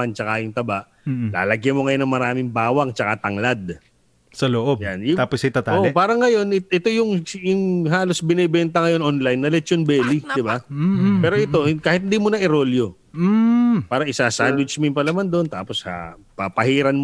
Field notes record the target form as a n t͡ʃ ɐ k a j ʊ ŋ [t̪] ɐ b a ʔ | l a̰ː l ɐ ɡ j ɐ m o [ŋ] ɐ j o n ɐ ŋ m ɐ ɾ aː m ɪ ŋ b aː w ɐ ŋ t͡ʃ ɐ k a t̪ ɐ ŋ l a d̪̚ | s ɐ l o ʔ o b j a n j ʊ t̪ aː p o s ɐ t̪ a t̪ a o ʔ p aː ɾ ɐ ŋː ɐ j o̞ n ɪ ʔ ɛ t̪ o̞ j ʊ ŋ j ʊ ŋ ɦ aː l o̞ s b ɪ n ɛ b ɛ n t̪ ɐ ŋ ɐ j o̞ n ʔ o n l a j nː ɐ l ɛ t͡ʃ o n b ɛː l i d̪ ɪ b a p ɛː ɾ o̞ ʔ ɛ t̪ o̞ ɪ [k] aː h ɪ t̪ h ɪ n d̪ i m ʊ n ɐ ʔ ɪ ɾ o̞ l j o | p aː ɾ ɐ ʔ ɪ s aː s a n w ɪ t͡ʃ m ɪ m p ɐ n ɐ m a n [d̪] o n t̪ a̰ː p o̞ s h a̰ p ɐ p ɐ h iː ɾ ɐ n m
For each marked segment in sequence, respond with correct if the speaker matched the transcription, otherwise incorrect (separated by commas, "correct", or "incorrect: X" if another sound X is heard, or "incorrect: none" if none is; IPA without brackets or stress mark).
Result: correct, correct, correct, correct